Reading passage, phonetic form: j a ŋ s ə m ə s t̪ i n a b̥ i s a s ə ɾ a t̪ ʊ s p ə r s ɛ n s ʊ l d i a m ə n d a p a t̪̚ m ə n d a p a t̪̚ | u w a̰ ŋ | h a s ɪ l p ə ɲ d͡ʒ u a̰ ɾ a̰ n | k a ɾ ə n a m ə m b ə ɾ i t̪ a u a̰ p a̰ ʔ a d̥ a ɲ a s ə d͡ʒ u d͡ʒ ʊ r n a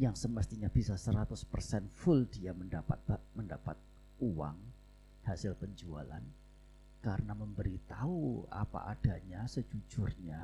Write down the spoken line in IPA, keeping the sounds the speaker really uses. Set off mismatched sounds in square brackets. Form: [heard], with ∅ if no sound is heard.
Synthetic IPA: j a ŋ s ə m ə s t̪ i [ɲ] a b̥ i s a s ə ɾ a t̪ ʊ s p ə r s ɛ n [f] ʊ l d i a m ə n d a p a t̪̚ m ə n d a p a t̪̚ | u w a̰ ŋ | h a s ɪ l p ə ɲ d͡ʒ u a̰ [l] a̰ n | k a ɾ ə n a m ə m b ə ɾ i t̪ a u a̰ p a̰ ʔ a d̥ a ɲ a s ə d͡ʒ u d͡ʒ ʊ r [ɲ] a